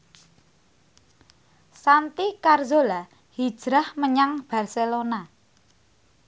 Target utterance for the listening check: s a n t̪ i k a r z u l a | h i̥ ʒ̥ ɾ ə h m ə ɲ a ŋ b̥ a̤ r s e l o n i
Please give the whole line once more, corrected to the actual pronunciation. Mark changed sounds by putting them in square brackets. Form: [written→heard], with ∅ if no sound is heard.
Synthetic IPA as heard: s a n t̪ i k a r z [u→o] l a | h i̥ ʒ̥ ɾ [ə→a] h m ə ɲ a ŋ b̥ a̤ r s e l o n [i→a]

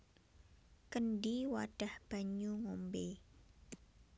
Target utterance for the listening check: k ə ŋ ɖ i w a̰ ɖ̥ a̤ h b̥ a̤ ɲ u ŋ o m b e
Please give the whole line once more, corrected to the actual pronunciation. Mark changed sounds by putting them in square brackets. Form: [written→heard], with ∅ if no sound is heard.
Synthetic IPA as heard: k ə [ŋ→n] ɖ i w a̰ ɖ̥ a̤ h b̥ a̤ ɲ u ŋ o m b e

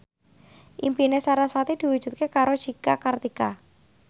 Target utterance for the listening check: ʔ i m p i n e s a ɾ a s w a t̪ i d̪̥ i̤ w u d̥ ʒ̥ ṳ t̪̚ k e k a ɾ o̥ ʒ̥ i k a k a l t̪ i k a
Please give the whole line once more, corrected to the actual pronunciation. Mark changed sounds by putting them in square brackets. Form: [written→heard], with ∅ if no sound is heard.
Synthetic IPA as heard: ʔ i m p i n e s a ɾ a s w a t̪ i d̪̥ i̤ w u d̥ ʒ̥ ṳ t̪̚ k e k a ɾ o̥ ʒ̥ i k a k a [l→r] t̪ i k a

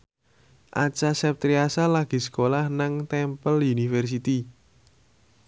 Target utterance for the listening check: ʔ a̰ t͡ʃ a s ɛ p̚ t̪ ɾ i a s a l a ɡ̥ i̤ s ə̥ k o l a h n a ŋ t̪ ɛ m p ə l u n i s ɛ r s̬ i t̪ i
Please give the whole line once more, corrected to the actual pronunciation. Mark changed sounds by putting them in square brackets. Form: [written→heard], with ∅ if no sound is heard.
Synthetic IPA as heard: ʔ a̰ t͡ʃ a s ɛ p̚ t̪ ɾ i a s a l a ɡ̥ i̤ s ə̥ k o l a h n a ŋ t̪ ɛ m p ə l u n i [s→f] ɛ r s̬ i t̪ i

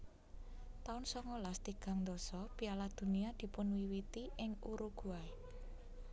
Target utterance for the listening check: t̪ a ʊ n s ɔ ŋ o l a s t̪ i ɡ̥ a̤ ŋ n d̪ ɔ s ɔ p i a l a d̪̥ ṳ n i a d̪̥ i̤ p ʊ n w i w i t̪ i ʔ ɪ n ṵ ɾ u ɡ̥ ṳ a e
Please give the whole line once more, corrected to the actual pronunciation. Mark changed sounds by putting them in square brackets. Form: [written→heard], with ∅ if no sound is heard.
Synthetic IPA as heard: t̪ a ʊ n s ɔ ŋ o l a s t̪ i ɡ̥ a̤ ŋ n d̪ ɔ s ɔ p i a l a d̪̥ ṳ n i a d̪̥ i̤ p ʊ n w i w i t̪ i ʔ ɪ [n→ŋ] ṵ ɾ u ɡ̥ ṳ a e

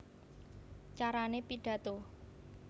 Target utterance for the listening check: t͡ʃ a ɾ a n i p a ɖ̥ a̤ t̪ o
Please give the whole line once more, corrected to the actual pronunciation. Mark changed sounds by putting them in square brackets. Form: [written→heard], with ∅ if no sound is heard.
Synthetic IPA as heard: t͡ʃ a ɾ a n [i→e] p [a→i] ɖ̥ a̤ t̪ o

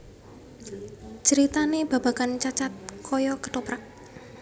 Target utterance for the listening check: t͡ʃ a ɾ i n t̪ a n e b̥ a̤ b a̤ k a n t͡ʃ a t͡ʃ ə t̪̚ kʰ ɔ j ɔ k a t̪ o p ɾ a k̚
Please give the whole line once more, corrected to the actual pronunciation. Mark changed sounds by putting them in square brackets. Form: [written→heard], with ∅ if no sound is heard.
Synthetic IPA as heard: t͡ʃ [a→ə] ɾ i [n→∅] t̪ a n e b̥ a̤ b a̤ k a n t͡ʃ a t͡ʃ [ə→a] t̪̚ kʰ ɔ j ɔ k [a→ə] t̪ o p ɾ a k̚

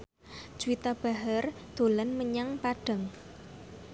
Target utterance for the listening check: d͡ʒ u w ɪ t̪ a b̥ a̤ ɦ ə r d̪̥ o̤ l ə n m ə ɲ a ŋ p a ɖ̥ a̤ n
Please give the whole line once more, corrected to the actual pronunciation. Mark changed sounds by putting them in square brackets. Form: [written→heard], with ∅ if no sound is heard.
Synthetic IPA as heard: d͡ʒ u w [ɪ→i] t̪ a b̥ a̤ ɦ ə r d̪̥ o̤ l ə n m ə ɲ a ŋ p a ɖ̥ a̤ [n→ŋ]

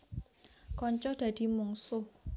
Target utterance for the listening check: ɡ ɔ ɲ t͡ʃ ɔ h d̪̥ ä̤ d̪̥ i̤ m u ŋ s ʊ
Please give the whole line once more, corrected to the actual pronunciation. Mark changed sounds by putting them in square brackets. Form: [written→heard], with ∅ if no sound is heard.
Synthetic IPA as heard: [ɡ→k] ɔ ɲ t͡ʃ ɔ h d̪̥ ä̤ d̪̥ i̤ m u ŋ s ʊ

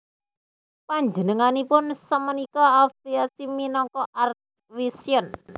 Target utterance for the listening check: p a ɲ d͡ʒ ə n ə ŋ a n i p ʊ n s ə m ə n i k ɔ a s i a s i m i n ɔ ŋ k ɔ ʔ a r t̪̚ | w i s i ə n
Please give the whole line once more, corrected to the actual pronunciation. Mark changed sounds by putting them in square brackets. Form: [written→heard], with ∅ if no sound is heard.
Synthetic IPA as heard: p a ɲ d͡ʒ ə n ə ŋ a n i p ʊ n s ə m ə n i k ɔ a [s→f] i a s i m i n ɔ ŋ k ɔ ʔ a r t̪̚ | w i s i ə n

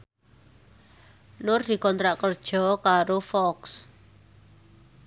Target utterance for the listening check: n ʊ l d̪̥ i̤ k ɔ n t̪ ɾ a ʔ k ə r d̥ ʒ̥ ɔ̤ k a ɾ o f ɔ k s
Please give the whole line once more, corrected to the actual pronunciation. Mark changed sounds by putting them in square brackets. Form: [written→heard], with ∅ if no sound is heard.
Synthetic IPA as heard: n ʊ [l→r] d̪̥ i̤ k ɔ n t̪ ɾ a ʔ k ə r d̥ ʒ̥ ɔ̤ k a ɾ o f ɔ k s

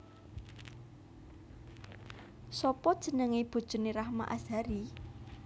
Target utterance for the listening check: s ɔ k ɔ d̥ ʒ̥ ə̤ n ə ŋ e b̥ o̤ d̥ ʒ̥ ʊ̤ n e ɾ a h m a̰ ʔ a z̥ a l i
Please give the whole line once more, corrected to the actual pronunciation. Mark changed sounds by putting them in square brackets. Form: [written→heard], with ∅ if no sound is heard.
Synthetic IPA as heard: s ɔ [k→p] ɔ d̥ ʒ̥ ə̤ n ə ŋ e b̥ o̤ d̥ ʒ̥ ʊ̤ n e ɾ a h m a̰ ʔ a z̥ a [l→ɾ] i

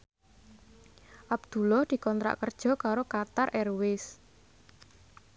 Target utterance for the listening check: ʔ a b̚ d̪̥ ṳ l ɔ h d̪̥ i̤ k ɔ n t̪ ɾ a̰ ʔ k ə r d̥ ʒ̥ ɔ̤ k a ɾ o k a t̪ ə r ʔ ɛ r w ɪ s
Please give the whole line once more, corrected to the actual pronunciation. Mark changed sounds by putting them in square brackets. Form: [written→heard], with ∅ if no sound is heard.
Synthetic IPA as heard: ʔ a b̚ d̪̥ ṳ l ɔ h d̪̥ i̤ k ɔ n t̪ ɾ a̰ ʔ k ə r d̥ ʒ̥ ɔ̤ k a ɾ o k a t̪ [ə→a] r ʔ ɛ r w ɪ s

